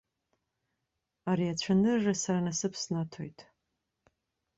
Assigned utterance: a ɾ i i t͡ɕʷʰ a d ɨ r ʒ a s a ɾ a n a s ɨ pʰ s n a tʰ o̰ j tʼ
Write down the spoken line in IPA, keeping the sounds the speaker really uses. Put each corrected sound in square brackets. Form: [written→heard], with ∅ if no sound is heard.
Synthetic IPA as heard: a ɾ i [i→a] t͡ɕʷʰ a [d→n] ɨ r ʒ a s a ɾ a n a s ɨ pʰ s n a tʰ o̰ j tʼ